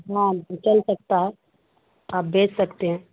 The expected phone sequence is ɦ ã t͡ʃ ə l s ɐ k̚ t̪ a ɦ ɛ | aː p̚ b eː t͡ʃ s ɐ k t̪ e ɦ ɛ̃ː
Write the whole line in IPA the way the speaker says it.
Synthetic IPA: ɦ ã t͡ʃ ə l s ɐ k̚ t̪ a ɦ ɛ | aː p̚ b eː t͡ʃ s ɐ k t̪ e ɦ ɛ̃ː